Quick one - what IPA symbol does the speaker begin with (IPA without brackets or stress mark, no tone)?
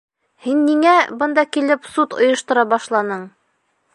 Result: h